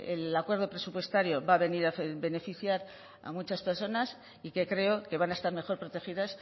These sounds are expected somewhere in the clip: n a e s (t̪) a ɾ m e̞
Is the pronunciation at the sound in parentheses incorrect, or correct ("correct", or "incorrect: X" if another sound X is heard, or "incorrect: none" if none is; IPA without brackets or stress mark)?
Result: correct